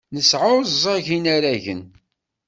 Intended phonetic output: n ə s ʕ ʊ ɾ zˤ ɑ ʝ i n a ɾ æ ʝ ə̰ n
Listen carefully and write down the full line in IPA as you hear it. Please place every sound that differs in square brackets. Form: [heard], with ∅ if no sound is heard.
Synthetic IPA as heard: n ə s ʕ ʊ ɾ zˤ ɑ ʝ i n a ɾ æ ʝ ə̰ n